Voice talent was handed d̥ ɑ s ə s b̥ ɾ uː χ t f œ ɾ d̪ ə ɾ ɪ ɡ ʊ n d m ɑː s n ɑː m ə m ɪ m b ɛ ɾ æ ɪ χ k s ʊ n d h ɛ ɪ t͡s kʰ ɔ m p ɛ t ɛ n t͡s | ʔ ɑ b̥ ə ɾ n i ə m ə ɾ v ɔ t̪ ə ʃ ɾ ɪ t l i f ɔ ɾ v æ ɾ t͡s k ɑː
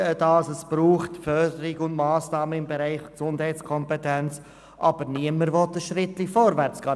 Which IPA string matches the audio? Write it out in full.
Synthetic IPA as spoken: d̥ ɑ s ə s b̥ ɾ uː χ t f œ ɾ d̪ ə ɾ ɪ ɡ ʊ n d m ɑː s n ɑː m ə ɪ m b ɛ ɾ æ ɪ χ k s ʊ n d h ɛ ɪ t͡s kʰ ɔ m p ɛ t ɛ n t͡s | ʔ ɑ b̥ ə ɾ n i ə m ə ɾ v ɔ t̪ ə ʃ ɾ ɪ t l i f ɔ ɾ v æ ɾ t͡s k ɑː